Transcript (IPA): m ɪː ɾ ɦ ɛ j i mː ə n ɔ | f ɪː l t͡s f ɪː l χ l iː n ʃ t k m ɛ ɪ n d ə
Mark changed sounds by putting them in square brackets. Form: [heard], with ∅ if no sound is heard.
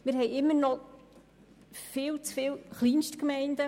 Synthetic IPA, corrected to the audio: m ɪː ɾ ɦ ɛ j [ɪ] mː ə n ɔ | f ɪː l t͡s f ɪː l χ l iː n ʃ t k m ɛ ɪ n d ə